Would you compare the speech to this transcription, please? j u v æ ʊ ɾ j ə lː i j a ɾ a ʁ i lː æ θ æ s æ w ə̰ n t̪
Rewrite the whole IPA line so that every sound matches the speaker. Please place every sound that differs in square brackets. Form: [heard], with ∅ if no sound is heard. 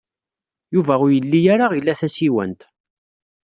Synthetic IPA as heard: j u v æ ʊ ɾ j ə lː i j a ɾ a ʁ i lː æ θ æ s [i] w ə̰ n t̪